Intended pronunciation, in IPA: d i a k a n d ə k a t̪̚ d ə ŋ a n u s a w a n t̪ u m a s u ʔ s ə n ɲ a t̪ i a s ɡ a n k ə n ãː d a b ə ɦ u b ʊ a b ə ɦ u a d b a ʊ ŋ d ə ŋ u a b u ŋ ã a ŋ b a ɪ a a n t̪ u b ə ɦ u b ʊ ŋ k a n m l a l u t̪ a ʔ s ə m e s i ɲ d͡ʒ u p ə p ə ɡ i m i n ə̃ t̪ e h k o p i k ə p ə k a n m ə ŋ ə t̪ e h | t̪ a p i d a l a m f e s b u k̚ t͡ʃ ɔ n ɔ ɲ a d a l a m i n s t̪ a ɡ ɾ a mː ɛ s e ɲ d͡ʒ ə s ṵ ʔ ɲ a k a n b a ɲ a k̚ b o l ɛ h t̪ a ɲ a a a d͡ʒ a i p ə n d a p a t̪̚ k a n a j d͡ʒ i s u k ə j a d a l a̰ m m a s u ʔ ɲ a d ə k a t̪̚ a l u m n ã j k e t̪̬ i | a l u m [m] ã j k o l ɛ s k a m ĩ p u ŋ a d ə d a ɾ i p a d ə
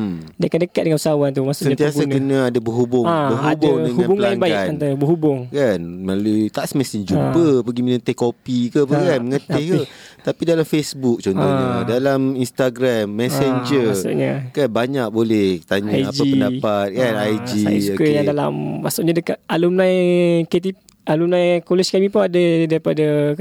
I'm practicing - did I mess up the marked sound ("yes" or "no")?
yes